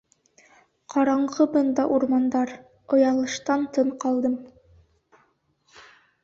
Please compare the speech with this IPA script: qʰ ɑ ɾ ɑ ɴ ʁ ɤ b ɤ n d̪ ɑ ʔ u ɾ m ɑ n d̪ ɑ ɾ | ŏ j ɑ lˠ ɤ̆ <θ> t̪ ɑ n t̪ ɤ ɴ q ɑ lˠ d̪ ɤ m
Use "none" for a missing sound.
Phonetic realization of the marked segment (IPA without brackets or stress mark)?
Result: ʃ